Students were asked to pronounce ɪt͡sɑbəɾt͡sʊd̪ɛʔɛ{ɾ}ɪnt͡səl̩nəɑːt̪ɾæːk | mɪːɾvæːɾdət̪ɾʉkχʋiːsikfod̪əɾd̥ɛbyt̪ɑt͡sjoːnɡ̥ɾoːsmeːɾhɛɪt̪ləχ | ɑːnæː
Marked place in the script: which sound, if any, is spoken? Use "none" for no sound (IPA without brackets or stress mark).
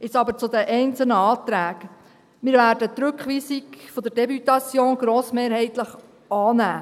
none